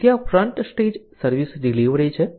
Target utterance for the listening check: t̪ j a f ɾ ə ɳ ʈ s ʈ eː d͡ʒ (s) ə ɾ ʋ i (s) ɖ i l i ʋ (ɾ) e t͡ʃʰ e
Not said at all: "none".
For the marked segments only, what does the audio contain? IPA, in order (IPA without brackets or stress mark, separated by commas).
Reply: s, s, ɾ